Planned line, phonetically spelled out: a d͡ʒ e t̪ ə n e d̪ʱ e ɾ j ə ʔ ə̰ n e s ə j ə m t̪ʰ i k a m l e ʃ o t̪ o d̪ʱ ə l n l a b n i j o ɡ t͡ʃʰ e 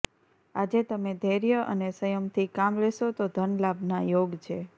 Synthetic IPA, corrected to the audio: a d͡ʒ e t̪ ə m e d̪ʱ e ɾ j ə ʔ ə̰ n e s ə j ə m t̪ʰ i k a m l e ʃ o t̪ o d̪ʱ ə n l a b n a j o ɡ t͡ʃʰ e